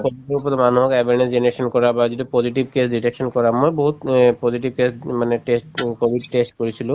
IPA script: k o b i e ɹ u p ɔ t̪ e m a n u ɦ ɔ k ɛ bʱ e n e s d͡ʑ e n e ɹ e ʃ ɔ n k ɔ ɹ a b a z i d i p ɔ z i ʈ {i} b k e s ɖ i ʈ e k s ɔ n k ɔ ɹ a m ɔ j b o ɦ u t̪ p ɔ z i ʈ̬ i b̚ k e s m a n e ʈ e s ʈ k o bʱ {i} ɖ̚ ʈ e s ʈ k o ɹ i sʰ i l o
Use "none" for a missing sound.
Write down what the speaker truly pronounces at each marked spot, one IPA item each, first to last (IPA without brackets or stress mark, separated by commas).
i, i